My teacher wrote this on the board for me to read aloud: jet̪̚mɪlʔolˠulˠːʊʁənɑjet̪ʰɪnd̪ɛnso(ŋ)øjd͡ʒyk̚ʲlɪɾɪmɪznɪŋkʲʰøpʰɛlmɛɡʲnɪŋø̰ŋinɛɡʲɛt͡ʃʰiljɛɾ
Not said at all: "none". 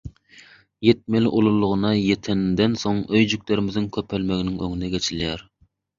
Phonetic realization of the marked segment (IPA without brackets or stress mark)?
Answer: ŋ